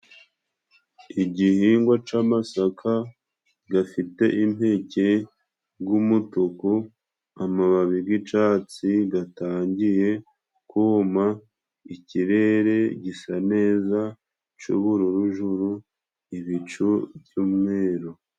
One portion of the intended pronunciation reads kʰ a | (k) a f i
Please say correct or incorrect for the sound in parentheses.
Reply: incorrect